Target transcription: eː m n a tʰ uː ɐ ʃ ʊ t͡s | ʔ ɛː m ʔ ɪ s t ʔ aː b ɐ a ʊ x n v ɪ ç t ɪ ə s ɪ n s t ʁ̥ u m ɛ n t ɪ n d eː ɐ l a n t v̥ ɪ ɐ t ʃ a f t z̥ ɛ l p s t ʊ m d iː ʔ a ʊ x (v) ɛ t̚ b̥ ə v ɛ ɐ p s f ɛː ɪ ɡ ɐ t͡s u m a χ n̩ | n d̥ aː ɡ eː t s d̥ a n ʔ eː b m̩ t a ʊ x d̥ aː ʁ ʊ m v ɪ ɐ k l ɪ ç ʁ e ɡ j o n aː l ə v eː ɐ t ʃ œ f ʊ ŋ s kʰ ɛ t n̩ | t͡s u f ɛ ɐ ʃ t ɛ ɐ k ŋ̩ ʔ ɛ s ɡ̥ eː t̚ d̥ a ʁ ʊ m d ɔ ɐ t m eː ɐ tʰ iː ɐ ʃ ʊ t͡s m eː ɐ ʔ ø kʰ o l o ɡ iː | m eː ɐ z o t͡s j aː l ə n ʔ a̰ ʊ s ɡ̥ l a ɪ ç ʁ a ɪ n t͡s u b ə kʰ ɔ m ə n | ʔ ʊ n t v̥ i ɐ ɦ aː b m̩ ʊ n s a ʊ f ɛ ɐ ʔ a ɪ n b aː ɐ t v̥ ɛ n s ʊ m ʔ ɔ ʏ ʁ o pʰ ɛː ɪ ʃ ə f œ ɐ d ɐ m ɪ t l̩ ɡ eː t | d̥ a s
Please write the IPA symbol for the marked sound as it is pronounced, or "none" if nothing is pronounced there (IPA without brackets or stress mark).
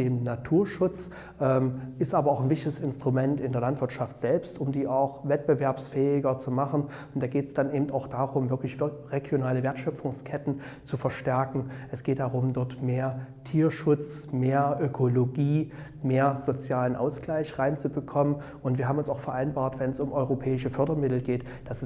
v